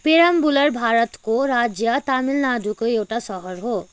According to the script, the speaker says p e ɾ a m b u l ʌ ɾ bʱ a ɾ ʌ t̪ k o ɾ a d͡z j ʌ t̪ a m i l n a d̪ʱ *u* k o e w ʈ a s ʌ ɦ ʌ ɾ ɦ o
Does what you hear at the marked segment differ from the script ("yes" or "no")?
no